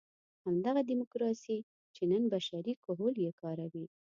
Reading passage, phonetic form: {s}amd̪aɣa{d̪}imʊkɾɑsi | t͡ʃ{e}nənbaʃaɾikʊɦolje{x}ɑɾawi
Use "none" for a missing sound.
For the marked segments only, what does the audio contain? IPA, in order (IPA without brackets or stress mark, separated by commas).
h, d̪, e, k